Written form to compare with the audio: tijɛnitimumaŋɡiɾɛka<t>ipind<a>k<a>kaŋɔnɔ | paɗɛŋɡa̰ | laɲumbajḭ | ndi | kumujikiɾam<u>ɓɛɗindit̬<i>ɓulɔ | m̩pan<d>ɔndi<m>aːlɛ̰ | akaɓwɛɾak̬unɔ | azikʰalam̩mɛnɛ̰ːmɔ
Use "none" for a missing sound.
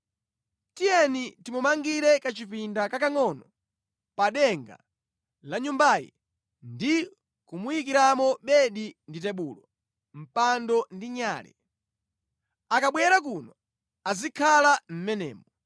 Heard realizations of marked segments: t͡ʃ, a, a, ɔ, ɛ, d, ɲ

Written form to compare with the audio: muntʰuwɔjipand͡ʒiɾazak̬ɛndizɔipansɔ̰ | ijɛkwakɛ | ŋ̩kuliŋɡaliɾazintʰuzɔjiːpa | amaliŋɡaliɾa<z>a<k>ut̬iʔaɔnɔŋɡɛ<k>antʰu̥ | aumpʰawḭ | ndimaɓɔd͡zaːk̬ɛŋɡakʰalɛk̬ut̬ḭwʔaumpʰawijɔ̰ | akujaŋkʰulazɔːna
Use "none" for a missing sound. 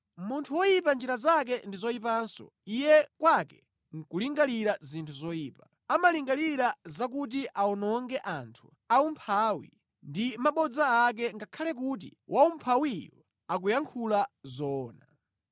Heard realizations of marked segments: z, k, ʔ

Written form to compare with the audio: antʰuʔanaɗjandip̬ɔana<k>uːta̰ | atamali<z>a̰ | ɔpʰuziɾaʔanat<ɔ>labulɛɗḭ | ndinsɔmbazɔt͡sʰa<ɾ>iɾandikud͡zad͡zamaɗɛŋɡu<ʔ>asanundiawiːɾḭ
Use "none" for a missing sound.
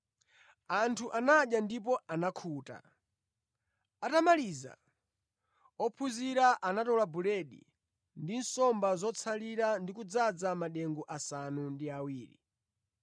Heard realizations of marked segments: kʰ, z, ɔ, l, ʔ

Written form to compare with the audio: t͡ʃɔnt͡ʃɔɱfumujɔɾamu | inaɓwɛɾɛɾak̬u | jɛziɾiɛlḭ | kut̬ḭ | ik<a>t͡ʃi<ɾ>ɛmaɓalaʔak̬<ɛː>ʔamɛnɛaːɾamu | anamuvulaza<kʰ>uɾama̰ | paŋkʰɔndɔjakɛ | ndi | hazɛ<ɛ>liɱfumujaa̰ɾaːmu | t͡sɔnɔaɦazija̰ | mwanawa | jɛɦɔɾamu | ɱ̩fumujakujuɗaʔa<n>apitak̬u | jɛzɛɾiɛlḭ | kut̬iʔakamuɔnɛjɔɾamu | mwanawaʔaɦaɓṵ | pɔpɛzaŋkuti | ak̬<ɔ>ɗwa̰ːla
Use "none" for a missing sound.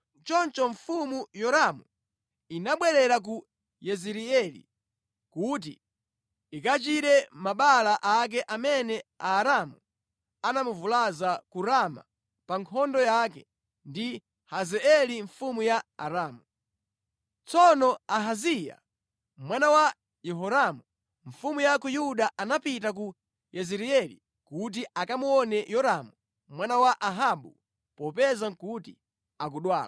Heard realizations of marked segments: a, ɾ, ɛ, k, ɛ, n, u

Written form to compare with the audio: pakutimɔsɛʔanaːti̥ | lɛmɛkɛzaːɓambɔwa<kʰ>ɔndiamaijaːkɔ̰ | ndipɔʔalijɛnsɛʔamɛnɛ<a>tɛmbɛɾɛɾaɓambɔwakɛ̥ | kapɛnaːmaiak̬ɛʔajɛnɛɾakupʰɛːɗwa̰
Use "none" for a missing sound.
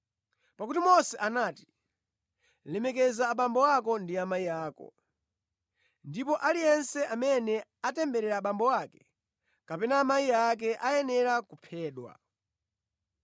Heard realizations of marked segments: k, a

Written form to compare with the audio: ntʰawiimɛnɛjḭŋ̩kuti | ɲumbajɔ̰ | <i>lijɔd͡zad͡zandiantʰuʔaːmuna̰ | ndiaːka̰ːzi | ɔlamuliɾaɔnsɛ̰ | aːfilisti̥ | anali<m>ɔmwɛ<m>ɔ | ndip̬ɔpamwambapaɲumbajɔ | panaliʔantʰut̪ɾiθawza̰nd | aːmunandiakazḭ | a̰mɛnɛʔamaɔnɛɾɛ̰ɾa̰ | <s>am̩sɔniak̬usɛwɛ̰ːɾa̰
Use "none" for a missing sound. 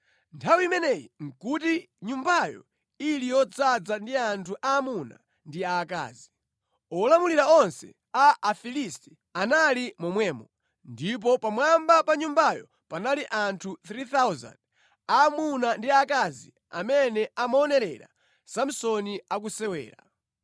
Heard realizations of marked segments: i, m, m, s

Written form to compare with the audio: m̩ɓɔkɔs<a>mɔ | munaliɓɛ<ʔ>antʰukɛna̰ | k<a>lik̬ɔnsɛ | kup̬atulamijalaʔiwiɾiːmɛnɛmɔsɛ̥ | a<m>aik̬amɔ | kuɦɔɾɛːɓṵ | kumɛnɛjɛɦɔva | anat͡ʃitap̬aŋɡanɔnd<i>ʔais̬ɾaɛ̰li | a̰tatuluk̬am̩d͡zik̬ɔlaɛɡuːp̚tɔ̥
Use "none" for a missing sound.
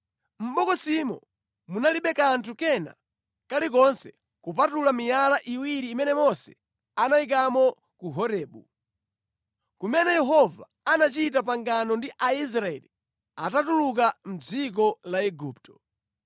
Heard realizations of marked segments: i, k, a, n, i

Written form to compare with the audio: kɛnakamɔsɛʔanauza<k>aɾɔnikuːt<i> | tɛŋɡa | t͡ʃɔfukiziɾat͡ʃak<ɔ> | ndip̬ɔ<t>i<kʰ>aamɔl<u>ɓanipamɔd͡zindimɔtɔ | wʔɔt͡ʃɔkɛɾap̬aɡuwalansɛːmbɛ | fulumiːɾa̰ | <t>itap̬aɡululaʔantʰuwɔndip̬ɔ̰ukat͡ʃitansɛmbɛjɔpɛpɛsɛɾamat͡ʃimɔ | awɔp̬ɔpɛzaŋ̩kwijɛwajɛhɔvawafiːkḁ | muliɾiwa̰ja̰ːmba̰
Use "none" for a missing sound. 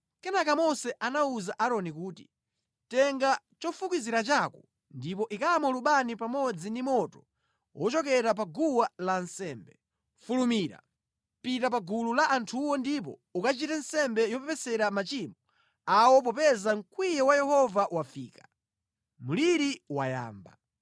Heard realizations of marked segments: ʔ, i, ɔ, ʔ, k, u, p

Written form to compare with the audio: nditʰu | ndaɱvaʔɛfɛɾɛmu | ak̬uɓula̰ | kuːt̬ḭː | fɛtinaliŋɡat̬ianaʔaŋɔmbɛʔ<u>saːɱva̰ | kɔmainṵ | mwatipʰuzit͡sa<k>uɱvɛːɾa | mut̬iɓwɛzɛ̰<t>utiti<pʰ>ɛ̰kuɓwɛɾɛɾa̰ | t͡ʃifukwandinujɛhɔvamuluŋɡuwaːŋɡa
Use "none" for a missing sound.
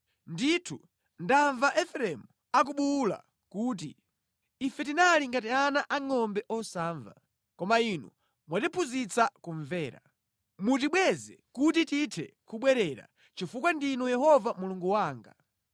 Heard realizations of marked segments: ɔ, k, k, tʰ

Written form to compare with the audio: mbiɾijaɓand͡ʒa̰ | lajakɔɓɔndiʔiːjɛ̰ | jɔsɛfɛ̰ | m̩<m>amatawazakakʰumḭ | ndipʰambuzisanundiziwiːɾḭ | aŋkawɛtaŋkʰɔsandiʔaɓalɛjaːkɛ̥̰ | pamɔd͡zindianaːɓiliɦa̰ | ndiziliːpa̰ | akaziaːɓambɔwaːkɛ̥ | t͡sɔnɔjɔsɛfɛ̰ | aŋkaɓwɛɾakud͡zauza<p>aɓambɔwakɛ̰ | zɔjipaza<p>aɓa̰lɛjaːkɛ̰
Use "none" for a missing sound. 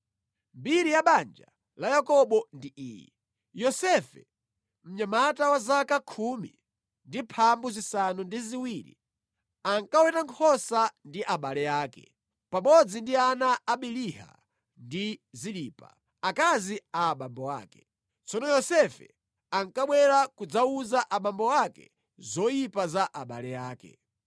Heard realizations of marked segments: ɲ, ʔ, ʔ

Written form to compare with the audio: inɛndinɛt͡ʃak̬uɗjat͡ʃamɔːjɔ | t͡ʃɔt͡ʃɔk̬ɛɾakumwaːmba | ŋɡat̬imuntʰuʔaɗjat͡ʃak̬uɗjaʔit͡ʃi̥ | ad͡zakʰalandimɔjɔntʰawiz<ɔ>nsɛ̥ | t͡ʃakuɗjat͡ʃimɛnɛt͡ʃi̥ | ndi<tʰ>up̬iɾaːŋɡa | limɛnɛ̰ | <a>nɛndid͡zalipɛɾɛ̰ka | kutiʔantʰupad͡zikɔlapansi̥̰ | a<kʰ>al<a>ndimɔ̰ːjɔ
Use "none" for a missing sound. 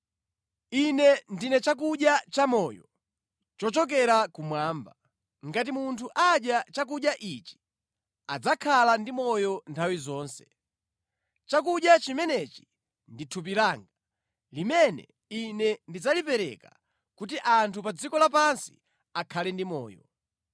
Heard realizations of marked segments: ɔː, tʰ, i, kʰ, ɛ

